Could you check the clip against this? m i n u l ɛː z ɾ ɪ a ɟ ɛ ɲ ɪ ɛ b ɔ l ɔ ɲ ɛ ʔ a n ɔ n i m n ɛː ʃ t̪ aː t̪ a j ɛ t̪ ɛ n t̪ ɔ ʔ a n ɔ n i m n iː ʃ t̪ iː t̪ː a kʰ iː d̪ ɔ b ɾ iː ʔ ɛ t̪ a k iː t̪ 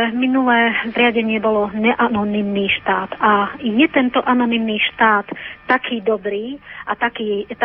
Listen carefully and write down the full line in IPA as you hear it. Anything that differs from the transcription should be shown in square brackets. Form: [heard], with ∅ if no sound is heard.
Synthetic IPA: m i n u l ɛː z ɾ ɪ a ɟ ɛ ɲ ɪ ɛ b ɔ l ɔ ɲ ɛ ʔ a n ɔ n i m n [iː] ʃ t̪ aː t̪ a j ɛ t̪ ɛ n t̪ ɔ ʔ a n ɔ n i m n iː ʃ t̪ [aː] t̪ː a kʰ iː d̪ ɔ b ɾ iː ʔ [a] t̪ a k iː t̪